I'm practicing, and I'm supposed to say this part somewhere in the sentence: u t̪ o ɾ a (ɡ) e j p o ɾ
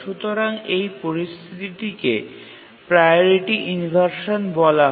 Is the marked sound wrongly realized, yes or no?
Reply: yes